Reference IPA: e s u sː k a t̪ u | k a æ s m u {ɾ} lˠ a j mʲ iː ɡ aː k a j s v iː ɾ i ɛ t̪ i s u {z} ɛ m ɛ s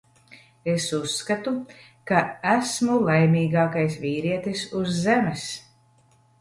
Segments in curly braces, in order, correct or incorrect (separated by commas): incorrect, incorrect